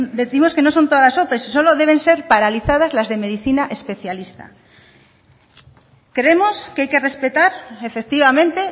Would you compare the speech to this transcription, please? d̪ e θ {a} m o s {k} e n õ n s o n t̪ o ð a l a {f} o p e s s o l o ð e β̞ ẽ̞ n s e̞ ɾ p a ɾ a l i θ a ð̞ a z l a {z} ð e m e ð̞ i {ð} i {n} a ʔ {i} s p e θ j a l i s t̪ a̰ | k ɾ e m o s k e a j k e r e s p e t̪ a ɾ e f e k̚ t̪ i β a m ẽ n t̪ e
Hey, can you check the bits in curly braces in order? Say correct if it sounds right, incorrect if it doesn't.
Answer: incorrect: i, correct, incorrect: s, correct, incorrect: θ, correct, incorrect: e

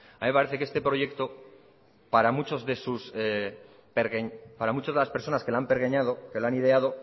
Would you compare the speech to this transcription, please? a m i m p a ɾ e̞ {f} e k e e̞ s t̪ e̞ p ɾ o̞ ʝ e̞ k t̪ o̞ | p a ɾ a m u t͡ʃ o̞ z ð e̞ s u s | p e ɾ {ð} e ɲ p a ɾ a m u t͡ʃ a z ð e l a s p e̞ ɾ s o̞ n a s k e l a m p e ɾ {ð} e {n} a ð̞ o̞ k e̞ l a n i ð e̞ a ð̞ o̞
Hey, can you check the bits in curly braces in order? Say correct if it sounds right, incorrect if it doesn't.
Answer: incorrect: θ, incorrect: ɣ, incorrect: ɣ, incorrect: ɲ

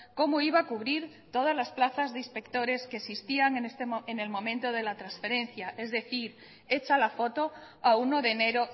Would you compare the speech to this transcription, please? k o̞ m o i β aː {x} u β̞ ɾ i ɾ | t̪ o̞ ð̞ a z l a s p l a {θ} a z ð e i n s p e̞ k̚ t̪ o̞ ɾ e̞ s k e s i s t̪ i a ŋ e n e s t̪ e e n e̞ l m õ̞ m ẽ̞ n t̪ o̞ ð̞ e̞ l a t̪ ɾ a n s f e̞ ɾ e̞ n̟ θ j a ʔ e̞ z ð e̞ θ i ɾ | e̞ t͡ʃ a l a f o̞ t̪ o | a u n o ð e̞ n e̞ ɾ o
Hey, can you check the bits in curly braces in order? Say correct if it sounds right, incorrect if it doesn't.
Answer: incorrect: k, correct

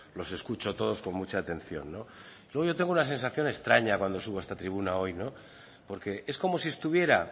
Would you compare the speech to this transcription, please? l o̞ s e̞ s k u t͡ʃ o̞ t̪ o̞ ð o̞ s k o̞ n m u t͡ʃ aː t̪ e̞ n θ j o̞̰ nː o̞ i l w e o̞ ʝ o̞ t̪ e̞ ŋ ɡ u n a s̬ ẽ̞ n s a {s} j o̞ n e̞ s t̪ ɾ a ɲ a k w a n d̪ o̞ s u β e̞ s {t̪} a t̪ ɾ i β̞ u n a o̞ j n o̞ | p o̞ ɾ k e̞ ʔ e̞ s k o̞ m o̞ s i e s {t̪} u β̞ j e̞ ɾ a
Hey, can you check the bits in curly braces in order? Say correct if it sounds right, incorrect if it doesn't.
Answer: incorrect: θ, correct, correct

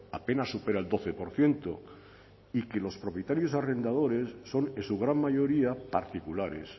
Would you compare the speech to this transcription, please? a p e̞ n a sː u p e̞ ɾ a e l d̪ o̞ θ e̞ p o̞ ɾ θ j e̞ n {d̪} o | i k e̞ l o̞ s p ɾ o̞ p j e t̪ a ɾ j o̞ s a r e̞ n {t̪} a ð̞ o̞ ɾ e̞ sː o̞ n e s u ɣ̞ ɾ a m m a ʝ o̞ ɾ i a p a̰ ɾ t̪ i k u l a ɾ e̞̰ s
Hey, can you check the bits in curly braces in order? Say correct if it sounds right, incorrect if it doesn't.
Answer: incorrect: t̪, incorrect: d̪

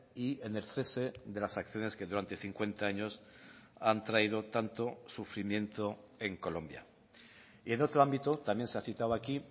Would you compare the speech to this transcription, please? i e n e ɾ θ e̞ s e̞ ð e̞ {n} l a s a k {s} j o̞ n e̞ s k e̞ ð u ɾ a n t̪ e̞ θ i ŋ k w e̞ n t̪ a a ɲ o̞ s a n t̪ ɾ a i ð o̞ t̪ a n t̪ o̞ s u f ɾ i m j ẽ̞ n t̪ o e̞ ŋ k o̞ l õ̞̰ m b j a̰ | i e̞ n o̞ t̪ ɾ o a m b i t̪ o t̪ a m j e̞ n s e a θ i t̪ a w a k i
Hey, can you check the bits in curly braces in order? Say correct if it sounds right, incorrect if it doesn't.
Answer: incorrect: none, incorrect: θ

